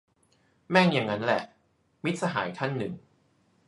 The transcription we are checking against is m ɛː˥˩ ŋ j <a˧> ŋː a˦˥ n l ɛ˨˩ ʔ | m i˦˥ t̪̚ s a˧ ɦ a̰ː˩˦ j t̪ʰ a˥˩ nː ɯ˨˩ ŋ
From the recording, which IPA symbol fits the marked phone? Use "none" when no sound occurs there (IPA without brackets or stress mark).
a˨˩